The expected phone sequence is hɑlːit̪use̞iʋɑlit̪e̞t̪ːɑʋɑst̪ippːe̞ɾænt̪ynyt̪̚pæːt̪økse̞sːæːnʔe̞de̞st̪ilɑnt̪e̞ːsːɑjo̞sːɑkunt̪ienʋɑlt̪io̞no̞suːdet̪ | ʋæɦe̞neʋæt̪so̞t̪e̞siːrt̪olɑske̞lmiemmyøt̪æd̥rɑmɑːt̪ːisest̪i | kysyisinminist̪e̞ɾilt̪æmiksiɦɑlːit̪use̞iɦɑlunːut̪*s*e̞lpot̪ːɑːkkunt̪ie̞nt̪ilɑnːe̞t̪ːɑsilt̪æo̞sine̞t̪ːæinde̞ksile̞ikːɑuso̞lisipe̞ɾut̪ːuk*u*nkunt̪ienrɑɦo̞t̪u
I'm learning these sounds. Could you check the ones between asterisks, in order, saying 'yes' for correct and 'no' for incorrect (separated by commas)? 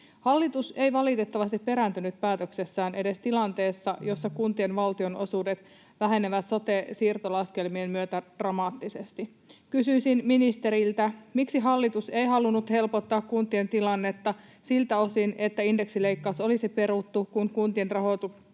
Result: no, yes